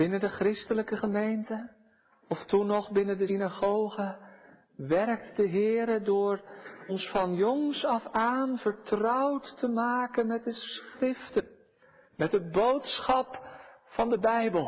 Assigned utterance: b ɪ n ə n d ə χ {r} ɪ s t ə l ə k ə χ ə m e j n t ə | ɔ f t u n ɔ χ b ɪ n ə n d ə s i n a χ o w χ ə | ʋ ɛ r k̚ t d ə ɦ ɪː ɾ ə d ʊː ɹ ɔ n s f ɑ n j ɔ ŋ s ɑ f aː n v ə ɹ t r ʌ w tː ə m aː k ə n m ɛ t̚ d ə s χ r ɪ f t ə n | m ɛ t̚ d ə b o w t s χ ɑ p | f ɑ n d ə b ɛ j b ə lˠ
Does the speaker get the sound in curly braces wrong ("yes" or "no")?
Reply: no